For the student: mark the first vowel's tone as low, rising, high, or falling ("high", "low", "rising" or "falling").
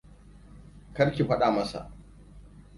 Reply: high